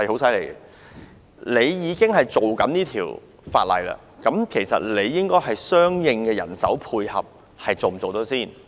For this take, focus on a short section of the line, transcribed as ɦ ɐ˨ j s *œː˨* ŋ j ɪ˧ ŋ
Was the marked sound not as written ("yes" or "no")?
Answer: yes